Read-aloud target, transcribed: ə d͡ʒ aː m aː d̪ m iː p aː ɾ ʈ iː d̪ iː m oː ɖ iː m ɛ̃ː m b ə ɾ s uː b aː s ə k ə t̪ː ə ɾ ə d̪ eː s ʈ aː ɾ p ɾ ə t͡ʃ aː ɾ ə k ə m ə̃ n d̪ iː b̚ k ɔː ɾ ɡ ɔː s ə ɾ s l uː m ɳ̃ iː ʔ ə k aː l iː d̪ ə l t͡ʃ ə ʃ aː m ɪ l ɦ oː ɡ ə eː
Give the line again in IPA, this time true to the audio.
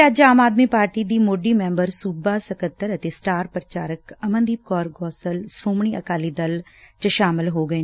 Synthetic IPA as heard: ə d͡ʒ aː m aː d̪ m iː p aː ɾ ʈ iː d̪ iː m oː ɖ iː m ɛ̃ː m b ə ɾ s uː b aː s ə k ə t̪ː ə ɾ ə t̪ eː s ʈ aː ɾ p ɾ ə t͡ʃ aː ɾ ə k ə m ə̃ n d̪ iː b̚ k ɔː ɾ ɡ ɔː s ə l s ɾ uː m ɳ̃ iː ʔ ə k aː l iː d̪ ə l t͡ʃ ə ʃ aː m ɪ l ɦ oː ɡ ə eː

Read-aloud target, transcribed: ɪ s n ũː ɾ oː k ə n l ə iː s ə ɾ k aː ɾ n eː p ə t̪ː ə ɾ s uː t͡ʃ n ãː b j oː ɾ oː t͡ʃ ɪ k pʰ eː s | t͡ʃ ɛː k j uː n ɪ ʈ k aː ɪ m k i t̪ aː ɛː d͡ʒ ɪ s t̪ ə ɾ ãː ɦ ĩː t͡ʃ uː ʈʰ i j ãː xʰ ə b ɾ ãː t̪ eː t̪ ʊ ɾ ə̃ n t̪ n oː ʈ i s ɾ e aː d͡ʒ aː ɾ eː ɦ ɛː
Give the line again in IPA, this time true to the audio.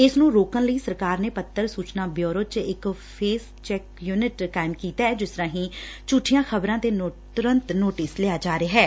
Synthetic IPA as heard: ɪ s n ũː ɾ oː k ə n l ə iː s ə ɾ k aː ɾ n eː p ə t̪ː ə ɾ s uː t͡ʃ n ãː b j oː ɾ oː t͡ʃ ɪ k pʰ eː s | t͡ʃ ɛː k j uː n ɪ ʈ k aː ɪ m k iː t̪ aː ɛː d͡ʒ ɪ s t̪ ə ɾ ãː ɦ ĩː t͡ʃ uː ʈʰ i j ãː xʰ ə b ɾ ãː t̪ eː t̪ ʊ ɾ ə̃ n t̪ n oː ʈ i s l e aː d͡ʒ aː ɾ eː ɦ ɛː

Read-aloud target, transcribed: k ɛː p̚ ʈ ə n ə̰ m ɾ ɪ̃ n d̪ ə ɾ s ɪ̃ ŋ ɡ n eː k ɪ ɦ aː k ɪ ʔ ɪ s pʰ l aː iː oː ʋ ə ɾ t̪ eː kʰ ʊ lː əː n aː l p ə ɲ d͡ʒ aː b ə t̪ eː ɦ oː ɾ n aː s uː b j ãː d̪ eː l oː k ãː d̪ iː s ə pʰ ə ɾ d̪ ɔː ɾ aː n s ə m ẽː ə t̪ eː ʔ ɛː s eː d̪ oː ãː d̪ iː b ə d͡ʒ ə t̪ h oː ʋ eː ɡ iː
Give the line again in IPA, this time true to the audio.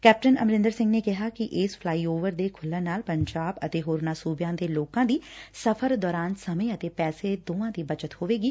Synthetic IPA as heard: k ɛː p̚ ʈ ə n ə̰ m ɾ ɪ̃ n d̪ ə ɾ s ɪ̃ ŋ ɡ n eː k ɪ ɦ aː k ɪ ʔ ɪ s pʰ l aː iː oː ʋ ə ɾ d̪ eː kʰ ʊ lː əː n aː l p ə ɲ d͡ʒ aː b ə t̪ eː ɦ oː ɾ n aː s uː b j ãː d̪ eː l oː k ãː d̪ iː s ə pʰ ə ɾ d̪ ɔː ɾ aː n s ə m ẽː ə t̪ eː p ɛː s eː d̪ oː ãː d̪ iː b ə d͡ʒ ə t̪ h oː ʋ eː ɡ iː

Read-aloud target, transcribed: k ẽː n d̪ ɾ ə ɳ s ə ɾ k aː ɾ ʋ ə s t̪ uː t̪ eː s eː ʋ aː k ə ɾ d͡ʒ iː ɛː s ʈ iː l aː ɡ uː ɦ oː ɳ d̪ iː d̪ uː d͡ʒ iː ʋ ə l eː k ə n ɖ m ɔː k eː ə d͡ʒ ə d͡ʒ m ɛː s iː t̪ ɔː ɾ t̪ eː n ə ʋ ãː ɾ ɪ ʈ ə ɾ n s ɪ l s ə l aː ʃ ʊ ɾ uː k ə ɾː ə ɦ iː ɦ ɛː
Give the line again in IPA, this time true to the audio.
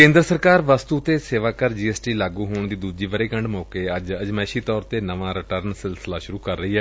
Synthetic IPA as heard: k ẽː n d̪ ɾ ə s ə ɾ k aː ɾ ʋ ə s t̪ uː t̪ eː s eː ʋ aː k ə ɾ d͡ʒ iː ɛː s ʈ iː l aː ɡ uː ɦ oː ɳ d̪ iː d̪ uː d͡ʒ iː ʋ ə ɾ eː k ə ɳ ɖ m ɔː k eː ə d͡ʒ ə d͡ʒ m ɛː ʃ iː t̪ ɔː ɾ t̪ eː n ə ʋ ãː ɾ ɪ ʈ ə ɾ n s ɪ l s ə l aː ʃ ʊ ɾ uː k ə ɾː ə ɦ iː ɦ ɛː

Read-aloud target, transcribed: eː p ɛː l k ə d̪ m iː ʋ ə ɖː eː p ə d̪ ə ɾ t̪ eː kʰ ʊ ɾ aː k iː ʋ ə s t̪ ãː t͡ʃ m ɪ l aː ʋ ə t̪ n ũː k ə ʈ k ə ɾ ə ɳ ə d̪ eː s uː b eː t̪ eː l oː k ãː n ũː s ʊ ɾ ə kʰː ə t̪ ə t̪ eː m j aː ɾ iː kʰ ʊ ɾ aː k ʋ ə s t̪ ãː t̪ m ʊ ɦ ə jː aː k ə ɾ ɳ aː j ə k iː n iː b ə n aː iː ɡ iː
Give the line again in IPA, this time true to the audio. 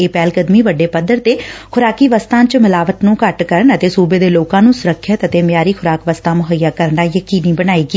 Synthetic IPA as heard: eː p ɛː l k ə d̪ m iː ʋ ə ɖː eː p ə d̪ ə ɾ t̪ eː kʰ ʊ ɾ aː k iː ʋ ə s t̪ ãː t͡ʃ m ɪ l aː ʋ ə t̪ n ũː k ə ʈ k ə ɾ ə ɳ ə t̪ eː s uː b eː d̪ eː l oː k ãː n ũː s ʊ ɾ ə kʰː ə t̪ ə t̪ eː m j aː ɾ iː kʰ ʊ ɾ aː k ʋ ə s t̪ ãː m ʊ ɦ ə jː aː k ə ɾ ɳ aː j ə k iː n iː b ə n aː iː ɡ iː

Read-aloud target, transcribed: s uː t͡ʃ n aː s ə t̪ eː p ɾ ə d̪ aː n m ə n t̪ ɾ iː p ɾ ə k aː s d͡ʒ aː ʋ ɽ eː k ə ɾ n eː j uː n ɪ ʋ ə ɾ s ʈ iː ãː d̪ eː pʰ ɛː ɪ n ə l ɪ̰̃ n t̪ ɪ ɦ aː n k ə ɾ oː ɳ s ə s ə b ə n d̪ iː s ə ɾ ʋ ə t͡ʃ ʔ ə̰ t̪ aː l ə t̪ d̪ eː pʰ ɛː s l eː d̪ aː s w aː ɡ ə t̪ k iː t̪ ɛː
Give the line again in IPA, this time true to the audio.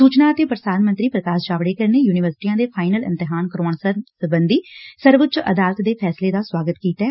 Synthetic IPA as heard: s uː t͡ʃ n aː ə t̪ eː p ɾ ə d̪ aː n m ə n t̪ ɾ iː p ɾ ə k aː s d͡ʒ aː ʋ ɽ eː k ə ɾ n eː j uː n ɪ ʋ ə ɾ s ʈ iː ãː d̪ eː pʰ aː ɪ n ə l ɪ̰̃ n t̪ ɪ ɦ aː n k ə ɾ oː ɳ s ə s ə b ə n d̪ iː s ə ɾ ʋ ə t͡ʃ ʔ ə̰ d̪ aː l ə t̪ d̪ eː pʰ ɛː s l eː d̪ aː s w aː ɡ ə t̪ k iː t̪ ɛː

